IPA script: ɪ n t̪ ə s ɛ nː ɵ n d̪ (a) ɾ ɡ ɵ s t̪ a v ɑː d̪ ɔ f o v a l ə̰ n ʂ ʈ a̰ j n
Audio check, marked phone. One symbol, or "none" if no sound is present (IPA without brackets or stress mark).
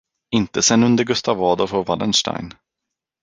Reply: ə